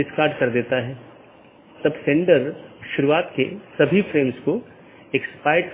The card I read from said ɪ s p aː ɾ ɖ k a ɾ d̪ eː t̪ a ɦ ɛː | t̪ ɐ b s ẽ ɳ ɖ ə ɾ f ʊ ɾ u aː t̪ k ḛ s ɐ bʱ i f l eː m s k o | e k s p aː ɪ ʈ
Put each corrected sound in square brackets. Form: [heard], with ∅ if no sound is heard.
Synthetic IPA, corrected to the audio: ɪ s [k] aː ɾ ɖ k [ɐ] ɾ d̪ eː t̪ a ɦ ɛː | t̪ ɐ b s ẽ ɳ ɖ ə ɾ [ʃ] ʊ ɾ u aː t̪ k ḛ s ɐ bʱ i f [ɾ] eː m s k o | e k s p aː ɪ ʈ

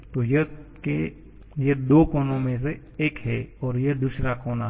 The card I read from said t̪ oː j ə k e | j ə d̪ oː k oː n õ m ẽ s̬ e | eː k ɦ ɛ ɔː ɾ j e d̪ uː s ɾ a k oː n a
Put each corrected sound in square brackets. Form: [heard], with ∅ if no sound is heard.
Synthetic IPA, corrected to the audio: t̪ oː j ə k e | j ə d̪ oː k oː n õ m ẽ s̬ e | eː k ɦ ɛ ɔː ɾ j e d̪ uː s ɾ a k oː n a

